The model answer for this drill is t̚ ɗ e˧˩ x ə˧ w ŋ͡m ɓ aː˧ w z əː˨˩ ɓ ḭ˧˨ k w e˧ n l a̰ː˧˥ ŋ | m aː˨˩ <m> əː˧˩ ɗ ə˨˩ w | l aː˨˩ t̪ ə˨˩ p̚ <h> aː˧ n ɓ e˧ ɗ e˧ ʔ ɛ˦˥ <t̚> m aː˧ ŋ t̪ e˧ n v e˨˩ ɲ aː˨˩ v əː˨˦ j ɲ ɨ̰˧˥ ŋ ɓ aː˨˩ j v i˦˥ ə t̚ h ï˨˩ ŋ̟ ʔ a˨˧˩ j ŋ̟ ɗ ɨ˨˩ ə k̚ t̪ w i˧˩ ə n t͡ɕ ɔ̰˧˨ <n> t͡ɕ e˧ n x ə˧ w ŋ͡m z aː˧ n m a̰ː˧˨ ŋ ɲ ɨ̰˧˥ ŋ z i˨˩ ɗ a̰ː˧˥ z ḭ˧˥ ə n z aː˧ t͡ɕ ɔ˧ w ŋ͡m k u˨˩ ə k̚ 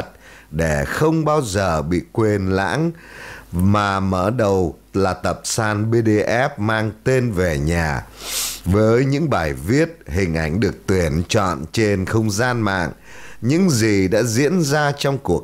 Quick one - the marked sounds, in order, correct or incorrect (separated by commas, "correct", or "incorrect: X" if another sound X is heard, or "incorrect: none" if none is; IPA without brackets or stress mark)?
correct, incorrect: s, incorrect: p̚, correct